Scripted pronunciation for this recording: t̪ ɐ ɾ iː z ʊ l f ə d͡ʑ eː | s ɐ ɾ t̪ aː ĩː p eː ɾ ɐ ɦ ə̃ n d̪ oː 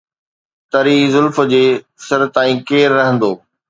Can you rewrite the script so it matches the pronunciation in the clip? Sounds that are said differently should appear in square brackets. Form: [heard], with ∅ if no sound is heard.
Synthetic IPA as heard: t̪ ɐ ɾ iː z ʊ l f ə d͡ʑ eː | s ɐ ɾ t̪ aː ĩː [k] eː [ɾː] ɐ ɦ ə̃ n d̪ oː